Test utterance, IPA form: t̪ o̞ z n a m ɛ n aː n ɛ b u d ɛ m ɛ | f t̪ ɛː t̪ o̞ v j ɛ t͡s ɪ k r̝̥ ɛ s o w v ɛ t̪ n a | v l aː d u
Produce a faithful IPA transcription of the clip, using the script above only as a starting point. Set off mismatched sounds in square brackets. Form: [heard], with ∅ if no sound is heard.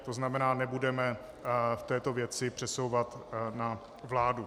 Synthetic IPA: t̪ o̞ z n a m ɛ n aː n ɛ b u d ɛ m ɛ | f t̪ ɛː t̪ o̞ v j ɛ t͡s ɪ [p] r̝̥ ɛ s o w v [a] t̪ n a | v l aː d u